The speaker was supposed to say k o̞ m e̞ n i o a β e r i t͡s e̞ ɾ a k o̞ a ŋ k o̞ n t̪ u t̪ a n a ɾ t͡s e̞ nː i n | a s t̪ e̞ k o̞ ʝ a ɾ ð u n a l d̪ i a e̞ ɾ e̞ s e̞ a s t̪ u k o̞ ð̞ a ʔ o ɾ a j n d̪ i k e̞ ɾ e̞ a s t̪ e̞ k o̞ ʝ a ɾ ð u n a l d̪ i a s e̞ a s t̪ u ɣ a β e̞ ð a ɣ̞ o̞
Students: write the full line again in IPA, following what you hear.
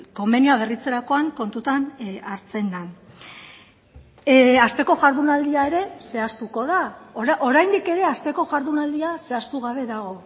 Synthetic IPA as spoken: k o̞ m e̞ n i o a β e r i t͡s e̞ ɾ a k o̞ a ŋ k o̞ n t̪ u t̪ a n a ɾ t͡s e̞ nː a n | a s t̪ e̞ k o̞ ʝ a ɾ ð u n a l d̪ i a e̞ ɾ e̞ s e̞ a s t̪ u k o̞ ð̞ a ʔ o ɾ a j n d̪ i k e̞ ɾ e̞ a s t̪ e̞ k o̞ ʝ a ɾ ð u n a l d̪ i a s e̞ a s t̪ u ɣ a β e̞ ð a ɣ̞ o̞